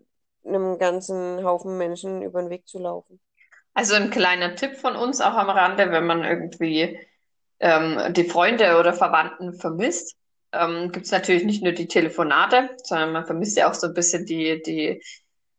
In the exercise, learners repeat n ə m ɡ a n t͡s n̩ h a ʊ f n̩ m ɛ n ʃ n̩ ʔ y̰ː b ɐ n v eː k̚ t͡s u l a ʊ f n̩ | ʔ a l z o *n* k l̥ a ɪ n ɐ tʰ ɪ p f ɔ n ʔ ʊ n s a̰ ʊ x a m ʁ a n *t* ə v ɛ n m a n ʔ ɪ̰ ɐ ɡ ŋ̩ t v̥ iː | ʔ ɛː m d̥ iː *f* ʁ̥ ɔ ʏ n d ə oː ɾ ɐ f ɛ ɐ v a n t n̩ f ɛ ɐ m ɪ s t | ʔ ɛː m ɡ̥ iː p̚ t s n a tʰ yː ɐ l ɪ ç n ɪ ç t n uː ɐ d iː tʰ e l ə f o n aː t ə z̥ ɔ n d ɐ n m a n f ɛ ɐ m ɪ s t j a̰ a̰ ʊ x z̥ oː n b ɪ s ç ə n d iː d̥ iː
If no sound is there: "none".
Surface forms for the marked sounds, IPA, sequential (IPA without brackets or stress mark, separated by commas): n, d, f